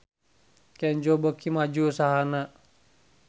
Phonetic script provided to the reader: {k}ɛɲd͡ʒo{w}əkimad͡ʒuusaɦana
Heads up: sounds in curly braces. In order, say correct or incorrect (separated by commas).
correct, incorrect